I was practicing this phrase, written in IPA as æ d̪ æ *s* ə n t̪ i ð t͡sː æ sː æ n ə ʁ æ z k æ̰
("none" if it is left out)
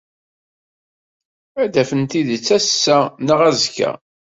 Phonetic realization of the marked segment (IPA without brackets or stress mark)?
f